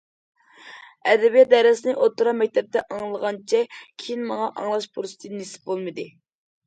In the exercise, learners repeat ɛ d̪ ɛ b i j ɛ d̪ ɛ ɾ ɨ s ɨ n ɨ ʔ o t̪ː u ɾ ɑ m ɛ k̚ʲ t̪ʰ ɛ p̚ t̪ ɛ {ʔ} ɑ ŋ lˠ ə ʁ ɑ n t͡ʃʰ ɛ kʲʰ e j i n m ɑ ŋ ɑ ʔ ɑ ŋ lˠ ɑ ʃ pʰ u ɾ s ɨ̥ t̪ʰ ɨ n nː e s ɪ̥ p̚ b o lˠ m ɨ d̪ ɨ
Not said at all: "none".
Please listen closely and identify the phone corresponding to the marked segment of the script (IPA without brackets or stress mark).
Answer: ʔ